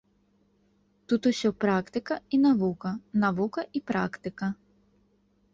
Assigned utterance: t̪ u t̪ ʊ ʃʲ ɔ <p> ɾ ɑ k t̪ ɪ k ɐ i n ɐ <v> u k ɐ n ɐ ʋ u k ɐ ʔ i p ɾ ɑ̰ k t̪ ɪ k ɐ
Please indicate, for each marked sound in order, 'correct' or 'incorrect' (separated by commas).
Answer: correct, incorrect